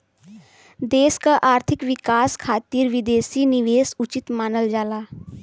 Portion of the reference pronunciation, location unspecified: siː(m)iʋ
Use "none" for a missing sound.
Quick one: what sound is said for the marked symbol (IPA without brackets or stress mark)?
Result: n